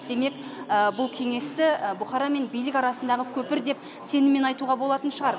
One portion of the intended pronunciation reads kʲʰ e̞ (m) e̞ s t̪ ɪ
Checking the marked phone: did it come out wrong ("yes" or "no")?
yes